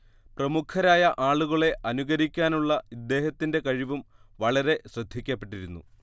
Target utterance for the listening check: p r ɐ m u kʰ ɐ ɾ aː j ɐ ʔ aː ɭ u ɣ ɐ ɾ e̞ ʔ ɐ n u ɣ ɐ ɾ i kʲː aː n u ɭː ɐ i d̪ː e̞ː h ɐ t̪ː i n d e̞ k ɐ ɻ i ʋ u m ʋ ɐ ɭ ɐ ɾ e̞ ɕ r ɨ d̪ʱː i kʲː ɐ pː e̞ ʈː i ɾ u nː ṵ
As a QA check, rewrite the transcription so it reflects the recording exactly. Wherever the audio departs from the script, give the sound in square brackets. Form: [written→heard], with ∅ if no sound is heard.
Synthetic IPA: p r ɐ m u kʰ ɐ ɾ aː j ɐ ʔ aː ɭ u ɣ ɐ [ɾ→ɭ] e̞ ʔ ɐ n u ɣ ɐ ɾ i kʲː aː n u ɭː ɐ i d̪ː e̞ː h ɐ t̪ː i n d e̞ k ɐ ɻ i ʋ u m ʋ ɐ ɭ ɐ ɾ e̞ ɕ r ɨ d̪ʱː i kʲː ɐ pː e̞ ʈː i ɾ u nː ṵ

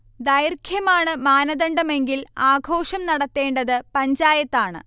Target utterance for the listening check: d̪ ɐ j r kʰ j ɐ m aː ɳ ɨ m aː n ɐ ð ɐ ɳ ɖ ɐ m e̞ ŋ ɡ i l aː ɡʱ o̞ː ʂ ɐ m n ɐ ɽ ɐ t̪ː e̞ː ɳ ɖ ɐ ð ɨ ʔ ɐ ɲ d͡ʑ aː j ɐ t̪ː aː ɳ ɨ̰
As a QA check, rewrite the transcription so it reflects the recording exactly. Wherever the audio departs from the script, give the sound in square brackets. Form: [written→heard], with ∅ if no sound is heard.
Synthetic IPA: d̪ ɐ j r kʰ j ɐ m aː ɳ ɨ m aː n ɐ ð ɐ ɳ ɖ ɐ m e̞ ŋ ɡ i l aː ɡʱ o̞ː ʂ ɐ m n ɐ ɽ ɐ t̪ː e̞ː ɳ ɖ ɐ ð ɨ [ʔ→p] ɐ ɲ d͡ʑ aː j ɐ t̪ː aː ɳ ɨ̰

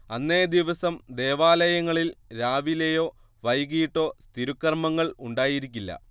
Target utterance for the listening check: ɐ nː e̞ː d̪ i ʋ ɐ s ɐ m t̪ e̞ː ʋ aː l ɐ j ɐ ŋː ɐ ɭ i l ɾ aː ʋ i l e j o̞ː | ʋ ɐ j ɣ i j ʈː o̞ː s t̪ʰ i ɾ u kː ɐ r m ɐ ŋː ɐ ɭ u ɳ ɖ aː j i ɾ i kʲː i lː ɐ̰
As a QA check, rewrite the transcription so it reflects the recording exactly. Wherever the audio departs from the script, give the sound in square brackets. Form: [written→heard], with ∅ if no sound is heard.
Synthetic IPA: ɐ nː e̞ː d̪ i ʋ ɐ s ɐ m [t̪→d̪] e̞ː ʋ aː l ɐ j ɐ ŋː ɐ ɭ i l ɾ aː ʋ i l e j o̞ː | ʋ ɐ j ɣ i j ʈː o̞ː s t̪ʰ i ɾ u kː ɐ r m ɐ ŋː ɐ ɭ u ɳ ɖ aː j i ɾ i kʲː i lː ɐ̰

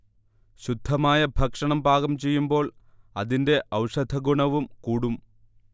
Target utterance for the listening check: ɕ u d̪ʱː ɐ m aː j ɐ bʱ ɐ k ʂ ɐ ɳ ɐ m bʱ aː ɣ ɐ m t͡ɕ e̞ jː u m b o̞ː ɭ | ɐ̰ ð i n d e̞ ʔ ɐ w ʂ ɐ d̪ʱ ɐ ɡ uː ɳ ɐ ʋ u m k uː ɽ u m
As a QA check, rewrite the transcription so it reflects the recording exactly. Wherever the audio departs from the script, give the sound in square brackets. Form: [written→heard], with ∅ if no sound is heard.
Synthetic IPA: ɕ u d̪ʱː ɐ m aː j ɐ bʱ ɐ k ʂ ɐ ɳ ɐ m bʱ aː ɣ ɐ m t͡ɕ e̞ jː u m b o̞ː ɭ | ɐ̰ ð i n d e̞ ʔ ɐ w ʂ ɐ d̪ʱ ɐ ɡ [uː→u] ɳ ɐ ʋ u m k uː ɽ u m

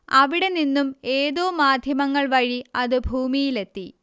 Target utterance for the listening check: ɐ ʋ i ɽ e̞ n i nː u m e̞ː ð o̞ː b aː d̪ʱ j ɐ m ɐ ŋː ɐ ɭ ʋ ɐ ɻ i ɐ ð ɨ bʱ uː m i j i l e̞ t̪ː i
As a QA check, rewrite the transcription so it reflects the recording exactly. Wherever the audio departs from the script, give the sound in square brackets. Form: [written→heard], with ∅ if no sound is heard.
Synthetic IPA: ɐ ʋ i ɽ e̞ n i nː u m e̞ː ð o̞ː [b→m] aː d̪ʱ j ɐ m ɐ ŋː ɐ ɭ ʋ ɐ ɻ i ɐ ð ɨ bʱ uː m i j i l e̞ t̪ː i

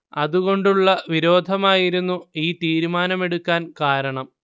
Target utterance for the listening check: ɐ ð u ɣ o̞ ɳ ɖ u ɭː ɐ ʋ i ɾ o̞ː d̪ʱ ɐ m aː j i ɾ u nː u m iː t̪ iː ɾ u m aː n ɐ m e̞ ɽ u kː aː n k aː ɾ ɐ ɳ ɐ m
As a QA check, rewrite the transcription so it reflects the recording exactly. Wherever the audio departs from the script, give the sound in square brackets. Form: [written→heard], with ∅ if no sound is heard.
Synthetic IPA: ɐ ð u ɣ o̞ ɳ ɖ u ɭː ɐ ʋ i ɾ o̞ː d̪ʱ ɐ m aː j i ɾ u nː u [m→∅] iː t̪ iː ɾ u m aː n ɐ m e̞ ɽ u kː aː n k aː ɾ ɐ ɳ ɐ m

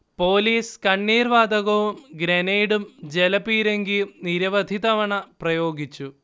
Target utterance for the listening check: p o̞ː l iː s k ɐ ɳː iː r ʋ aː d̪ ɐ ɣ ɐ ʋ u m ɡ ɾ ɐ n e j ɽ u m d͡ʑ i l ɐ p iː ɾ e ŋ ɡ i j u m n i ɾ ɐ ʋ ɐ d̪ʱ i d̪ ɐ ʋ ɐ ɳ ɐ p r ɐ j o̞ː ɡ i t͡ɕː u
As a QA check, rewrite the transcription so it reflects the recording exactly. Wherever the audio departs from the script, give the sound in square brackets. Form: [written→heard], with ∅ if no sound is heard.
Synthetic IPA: p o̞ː l iː s k ɐ ɳː iː r ʋ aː d̪ ɐ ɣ ɐ ʋ u m ɡ ɾ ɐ n e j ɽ u m d͡ʑ [i→e] l ɐ p iː ɾ e ŋ ɡ i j u m n i ɾ ɐ ʋ ɐ d̪ʱ i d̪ ɐ ʋ ɐ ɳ ɐ p r ɐ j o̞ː ɡ i t͡ɕː u

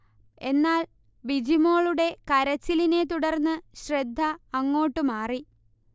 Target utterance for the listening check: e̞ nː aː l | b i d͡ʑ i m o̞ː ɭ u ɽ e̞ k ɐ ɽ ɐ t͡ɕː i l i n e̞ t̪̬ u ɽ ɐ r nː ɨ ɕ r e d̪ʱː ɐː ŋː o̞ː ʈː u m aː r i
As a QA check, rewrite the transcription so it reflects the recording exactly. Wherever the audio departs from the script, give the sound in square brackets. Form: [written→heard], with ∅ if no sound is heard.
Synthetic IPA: e̞ nː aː l | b i d͡ʑ i m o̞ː ɭ u ɽ e̞ k ɐ [ɽ→ɾ] ɐ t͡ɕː i l i n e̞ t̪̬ u ɽ ɐ r nː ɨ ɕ r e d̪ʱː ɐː ŋː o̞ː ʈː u m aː r i

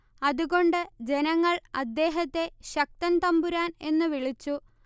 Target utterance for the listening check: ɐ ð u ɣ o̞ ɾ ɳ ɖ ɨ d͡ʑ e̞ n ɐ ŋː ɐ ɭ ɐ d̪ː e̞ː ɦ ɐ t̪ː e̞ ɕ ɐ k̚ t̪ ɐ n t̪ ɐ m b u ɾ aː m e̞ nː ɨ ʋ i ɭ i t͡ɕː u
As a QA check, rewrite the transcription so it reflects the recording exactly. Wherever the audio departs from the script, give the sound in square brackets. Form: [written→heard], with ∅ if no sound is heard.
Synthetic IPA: ɐ ð u ɣ o̞ [ɾ→∅] ɳ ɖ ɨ d͡ʑ e̞ n ɐ ŋː ɐ ɭ ɐ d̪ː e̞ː ɦ ɐ t̪ː e̞ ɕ ɐ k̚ t̪ ɐ n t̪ ɐ m b u ɾ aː [m→n] e̞ nː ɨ ʋ i ɭ i t͡ɕː u

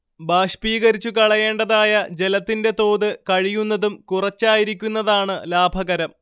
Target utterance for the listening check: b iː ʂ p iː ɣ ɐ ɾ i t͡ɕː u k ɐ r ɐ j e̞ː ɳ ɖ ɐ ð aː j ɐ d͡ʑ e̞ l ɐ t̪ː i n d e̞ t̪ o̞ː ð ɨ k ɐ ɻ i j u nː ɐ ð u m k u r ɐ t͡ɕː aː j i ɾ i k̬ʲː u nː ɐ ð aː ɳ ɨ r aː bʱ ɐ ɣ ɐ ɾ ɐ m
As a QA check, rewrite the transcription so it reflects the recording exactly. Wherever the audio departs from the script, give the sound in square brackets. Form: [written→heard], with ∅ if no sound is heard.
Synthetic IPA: b [iː→aː] ʂ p iː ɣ ɐ ɾ i t͡ɕː u k ɐ [r→ɭ] ɐ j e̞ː ɳ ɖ ɐ ð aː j ɐ d͡ʑ e̞ l ɐ t̪ː i n d e̞ t̪ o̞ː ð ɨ k ɐ ɻ i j u nː ɐ ð u m k u r ɐ t͡ɕː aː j i ɾ i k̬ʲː u nː ɐ ð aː ɳ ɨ [r→l] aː bʱ ɐ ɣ ɐ ɾ ɐ m

